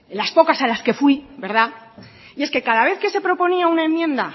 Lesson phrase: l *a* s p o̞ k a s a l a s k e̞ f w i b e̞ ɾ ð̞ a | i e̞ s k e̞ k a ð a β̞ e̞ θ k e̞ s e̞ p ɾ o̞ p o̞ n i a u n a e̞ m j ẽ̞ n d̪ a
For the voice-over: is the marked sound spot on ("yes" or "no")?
yes